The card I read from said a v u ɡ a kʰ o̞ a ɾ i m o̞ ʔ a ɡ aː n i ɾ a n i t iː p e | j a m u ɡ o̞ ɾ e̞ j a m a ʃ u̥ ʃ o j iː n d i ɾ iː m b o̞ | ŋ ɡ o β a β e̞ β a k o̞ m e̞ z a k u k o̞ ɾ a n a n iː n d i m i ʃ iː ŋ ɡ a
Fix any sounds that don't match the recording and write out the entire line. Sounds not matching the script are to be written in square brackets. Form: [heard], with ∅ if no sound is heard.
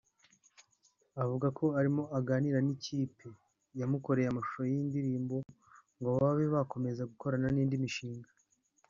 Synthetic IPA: a v u ɡ a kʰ o̞ a ɾ i m o̞ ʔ a ɡ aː n i ɾ a n i [c] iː p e | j a m u [k] o̞ ɾ e̞ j a m a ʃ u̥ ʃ o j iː n d i ɾ iː m b o̞ | ŋ ɡ o β a β e̞ β a k o̞ m e̞ z a [ɡ] u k o̞ ɾ a n a n iː n d i m i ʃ iː ŋ ɡ a